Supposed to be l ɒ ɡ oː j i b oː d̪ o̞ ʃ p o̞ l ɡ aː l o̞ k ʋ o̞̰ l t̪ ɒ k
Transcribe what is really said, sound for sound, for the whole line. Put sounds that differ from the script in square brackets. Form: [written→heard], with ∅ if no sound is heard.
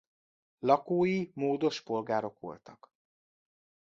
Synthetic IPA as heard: l ɒ [ɡ→k] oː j i [b→m] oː d̪ o̞ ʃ p o̞ l ɡ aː [l→ɾ] o̞ k ʋ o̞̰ l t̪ ɒ k